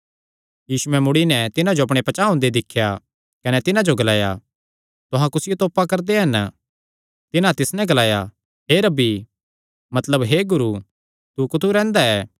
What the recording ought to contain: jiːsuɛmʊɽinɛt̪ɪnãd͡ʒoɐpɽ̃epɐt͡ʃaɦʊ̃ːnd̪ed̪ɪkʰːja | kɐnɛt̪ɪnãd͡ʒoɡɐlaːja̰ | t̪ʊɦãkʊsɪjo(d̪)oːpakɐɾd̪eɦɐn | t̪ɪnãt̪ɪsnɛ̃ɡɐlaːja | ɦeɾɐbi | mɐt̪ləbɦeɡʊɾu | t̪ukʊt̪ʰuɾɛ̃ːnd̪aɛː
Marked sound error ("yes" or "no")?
yes